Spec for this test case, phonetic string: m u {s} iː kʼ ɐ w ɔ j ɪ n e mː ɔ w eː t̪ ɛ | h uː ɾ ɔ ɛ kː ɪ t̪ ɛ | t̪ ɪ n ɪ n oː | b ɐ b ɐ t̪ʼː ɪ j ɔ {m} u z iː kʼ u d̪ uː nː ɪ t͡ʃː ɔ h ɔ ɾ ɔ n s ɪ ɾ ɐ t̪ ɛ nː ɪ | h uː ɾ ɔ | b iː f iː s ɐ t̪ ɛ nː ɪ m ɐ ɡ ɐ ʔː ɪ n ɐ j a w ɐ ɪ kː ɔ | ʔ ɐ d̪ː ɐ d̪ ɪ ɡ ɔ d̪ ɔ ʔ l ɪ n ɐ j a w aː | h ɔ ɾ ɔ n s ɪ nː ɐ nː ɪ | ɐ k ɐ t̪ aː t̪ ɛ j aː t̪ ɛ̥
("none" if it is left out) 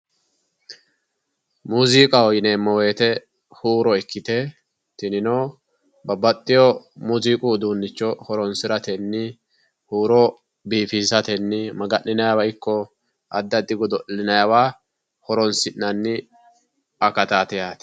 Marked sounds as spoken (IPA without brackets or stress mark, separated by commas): z, m